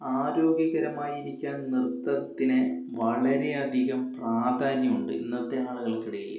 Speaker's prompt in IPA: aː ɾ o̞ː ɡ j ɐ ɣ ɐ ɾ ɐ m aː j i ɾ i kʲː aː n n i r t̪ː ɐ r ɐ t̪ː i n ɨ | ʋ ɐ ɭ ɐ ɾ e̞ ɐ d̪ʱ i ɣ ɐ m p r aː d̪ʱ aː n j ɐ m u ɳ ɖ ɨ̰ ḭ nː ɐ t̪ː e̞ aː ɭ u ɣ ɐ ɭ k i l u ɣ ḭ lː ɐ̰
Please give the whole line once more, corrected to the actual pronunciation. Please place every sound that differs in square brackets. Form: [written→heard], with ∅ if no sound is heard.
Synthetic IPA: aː ɾ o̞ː ɡ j ɐ ɣ ɐ ɾ ɐ m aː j i ɾ i kʲː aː n n i r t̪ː ɐ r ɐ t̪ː i n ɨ | ʋ ɐ ɭ ɐ ɾ e̞ ɐ d̪ʱ i ɣ ɐ m p r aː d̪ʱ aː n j ɐ m u ɳ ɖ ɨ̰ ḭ nː ɐ t̪ː e̞ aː ɭ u ɣ ɐ ɭ k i [l→ɽ] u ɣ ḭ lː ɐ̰

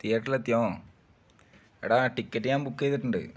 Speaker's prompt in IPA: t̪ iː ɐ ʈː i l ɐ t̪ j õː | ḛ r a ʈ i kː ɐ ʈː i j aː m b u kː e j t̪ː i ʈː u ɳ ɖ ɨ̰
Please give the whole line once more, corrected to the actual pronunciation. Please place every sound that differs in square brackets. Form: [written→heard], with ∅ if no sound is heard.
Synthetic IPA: t̪ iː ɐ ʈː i l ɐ t̪ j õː | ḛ [r→ɽ] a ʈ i kː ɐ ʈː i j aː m b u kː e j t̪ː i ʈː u ɳ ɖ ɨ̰

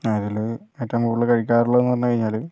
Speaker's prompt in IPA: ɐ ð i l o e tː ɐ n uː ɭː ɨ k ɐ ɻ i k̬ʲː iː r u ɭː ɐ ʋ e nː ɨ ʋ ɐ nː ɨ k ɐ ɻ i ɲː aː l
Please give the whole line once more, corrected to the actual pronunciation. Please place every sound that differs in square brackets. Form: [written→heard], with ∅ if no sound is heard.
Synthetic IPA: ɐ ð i l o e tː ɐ [n→m] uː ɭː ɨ k ɐ ɻ i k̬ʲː [iː→aː] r u ɭː ɐ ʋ e nː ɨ ʋ ɐ nː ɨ k ɐ ɻ i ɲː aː l

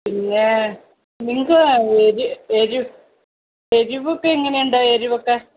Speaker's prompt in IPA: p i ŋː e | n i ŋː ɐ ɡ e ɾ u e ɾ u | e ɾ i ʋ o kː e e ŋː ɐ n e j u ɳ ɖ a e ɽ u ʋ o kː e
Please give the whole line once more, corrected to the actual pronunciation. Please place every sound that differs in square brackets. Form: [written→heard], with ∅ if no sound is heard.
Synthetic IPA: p i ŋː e | n i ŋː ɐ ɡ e ɾ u e ɾ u | e ɾ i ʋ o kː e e ŋː ɐ n e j u ɳ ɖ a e [ɽ→ɾ] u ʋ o kː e

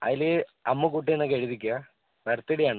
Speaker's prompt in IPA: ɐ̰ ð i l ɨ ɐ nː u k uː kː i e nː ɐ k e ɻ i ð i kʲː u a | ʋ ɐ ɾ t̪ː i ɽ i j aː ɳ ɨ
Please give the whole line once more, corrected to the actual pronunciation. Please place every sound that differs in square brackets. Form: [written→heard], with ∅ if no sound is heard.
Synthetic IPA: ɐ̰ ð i l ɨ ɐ [nː→mː] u k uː [kː→ʈː] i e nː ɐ k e ɻ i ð i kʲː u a | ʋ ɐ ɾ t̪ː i ɽ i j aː ɳ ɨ

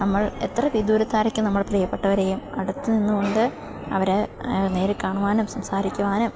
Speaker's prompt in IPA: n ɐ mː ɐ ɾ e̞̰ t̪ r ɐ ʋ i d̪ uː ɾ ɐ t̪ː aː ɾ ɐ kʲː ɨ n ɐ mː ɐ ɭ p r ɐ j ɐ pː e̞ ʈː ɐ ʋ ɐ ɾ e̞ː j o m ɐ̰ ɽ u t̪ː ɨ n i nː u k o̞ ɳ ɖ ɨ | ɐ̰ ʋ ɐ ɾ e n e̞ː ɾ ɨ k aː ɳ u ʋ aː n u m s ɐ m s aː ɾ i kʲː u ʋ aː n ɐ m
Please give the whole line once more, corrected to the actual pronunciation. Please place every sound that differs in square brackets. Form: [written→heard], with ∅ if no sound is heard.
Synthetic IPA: n ɐ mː ɐ [ɾ→ɭ] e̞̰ t̪ r ɐ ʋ i d̪ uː ɾ ɐ t̪ː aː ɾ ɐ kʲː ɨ n ɐ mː ɐ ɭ p r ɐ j ɐ pː e̞ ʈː ɐ ʋ ɐ ɾ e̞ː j [o→u] m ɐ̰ ɽ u t̪ː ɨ n i nː u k o̞ ɳ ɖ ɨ | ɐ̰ ʋ ɐ ɾ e n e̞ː ɾ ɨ k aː ɳ u ʋ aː n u m s ɐ m s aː ɾ i kʲː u ʋ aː n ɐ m

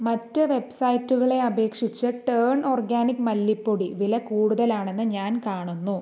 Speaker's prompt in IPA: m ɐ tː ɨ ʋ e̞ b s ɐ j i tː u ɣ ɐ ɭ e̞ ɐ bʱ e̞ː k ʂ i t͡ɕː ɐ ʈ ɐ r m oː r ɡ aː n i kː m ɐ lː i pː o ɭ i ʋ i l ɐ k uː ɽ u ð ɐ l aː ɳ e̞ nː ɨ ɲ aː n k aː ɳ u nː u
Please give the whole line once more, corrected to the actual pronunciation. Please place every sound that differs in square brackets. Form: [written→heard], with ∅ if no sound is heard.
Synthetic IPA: m ɐ tː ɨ ʋ e̞ b s ɐ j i tː u ɣ ɐ ɭ e̞ ɐ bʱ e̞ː k ʂ i t͡ɕː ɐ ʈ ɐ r [m→ɳ] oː r ɡ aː n i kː m ɐ lː i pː o [ɭ→ɽ] i ʋ i l ɐ k uː ɽ u ð ɐ l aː ɳ e̞ nː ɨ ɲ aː n k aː ɳ u nː u

